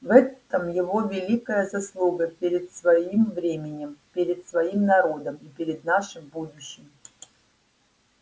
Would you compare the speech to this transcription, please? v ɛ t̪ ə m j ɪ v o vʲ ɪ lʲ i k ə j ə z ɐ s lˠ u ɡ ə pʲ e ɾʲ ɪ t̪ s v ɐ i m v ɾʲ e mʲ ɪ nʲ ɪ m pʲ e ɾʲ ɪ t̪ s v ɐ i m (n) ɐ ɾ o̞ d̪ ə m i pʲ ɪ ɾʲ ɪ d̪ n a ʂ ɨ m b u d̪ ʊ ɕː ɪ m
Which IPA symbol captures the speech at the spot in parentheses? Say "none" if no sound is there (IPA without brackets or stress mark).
n